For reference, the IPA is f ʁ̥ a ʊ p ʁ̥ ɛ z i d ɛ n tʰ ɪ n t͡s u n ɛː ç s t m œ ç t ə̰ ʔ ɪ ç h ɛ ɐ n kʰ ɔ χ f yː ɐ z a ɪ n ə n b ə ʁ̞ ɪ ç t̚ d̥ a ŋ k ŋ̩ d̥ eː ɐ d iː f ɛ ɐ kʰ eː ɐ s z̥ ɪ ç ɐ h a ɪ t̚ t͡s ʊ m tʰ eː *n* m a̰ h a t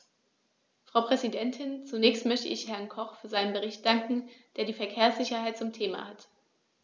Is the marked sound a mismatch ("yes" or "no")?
yes